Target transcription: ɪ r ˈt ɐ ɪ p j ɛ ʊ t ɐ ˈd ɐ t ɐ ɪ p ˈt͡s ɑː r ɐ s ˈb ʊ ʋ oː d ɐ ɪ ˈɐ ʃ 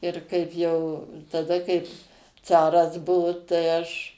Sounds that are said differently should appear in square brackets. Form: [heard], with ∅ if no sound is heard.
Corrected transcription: ɪ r [ˈk] ɐ ɪ p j ɛ ʊ t ɐ ˈd ɐ [k] ɐ ɪ p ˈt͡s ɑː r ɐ s ˈb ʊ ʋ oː [t] ɐ ɪ ˈɐ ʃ